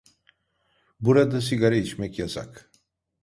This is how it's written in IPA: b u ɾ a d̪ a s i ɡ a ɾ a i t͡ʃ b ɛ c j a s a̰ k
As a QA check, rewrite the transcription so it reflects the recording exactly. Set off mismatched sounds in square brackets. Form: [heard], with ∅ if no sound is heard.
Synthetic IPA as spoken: b u ɾ a d̪ a s i ɡ a ɾ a i t͡ʃ [m] ɛ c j a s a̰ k